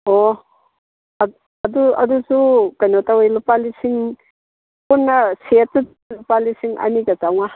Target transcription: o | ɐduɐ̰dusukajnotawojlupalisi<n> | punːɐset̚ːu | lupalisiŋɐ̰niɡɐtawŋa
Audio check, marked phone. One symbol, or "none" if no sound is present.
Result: ŋ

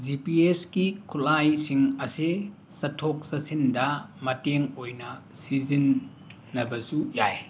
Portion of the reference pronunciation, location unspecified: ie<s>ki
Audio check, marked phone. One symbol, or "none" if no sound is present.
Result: s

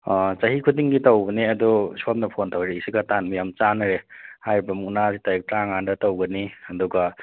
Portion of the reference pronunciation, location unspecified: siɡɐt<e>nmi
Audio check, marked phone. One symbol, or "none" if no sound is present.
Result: a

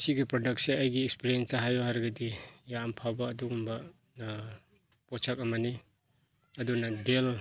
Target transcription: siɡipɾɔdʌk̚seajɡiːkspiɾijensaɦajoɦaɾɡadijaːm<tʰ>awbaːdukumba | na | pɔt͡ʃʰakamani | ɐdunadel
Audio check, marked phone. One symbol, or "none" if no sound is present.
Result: pʰ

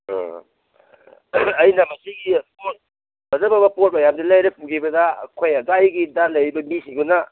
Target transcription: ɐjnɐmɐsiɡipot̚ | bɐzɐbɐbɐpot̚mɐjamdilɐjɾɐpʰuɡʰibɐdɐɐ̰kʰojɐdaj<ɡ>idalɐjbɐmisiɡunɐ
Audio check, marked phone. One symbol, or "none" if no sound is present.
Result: ɡ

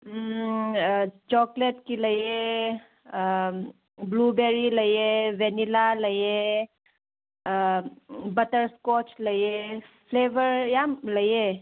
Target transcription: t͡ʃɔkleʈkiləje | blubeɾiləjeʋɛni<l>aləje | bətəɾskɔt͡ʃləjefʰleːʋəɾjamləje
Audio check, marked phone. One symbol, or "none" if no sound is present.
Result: l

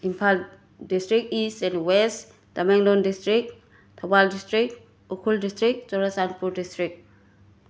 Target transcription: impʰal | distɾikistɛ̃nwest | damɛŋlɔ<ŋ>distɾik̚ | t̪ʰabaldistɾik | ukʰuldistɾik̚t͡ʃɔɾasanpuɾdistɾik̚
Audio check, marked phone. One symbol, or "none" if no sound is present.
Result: n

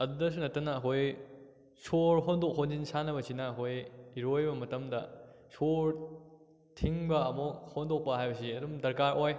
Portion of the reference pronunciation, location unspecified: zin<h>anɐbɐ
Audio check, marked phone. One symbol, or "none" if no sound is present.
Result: s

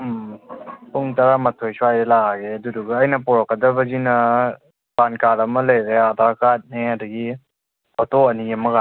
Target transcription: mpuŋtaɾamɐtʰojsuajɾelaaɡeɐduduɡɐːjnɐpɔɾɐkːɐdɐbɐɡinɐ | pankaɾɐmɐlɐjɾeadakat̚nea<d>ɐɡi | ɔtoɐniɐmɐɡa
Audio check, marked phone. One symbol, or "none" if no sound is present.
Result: d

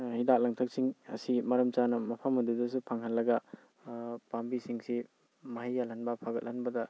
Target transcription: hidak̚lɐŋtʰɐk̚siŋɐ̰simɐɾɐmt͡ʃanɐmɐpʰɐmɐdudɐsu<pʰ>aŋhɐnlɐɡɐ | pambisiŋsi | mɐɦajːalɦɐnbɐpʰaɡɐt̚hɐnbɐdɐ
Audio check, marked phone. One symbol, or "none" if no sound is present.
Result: pʰ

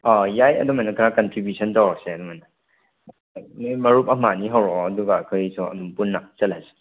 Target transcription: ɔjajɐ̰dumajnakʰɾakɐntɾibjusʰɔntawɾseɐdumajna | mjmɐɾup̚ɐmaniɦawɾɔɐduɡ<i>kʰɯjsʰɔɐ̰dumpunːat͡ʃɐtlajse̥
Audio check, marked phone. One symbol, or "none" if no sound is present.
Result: a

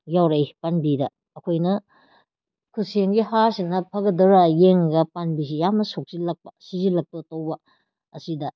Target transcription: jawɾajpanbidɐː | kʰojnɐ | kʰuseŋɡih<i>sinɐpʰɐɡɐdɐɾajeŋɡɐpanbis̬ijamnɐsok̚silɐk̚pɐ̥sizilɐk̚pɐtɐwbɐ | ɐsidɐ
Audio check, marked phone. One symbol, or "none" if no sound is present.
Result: a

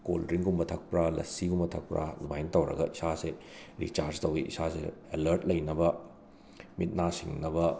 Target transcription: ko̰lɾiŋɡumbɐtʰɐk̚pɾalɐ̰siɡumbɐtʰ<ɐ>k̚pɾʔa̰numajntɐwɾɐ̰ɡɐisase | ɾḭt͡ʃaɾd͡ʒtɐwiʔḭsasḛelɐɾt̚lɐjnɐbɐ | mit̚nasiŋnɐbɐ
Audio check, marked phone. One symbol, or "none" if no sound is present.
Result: ɐ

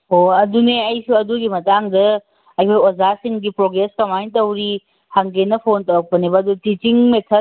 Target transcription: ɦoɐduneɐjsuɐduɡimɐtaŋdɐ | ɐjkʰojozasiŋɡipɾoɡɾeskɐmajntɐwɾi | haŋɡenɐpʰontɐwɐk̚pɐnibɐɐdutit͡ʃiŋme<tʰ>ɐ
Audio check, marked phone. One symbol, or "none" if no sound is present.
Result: tʰ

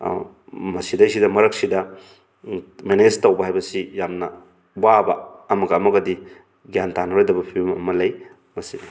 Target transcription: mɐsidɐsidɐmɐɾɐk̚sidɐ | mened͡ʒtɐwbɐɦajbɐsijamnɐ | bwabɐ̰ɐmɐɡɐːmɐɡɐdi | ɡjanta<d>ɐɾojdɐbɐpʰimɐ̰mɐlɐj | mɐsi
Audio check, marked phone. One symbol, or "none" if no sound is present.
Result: n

